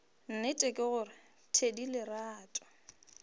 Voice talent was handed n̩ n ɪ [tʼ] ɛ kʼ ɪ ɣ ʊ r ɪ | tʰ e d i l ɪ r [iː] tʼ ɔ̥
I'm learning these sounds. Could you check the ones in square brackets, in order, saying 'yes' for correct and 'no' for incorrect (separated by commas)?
yes, no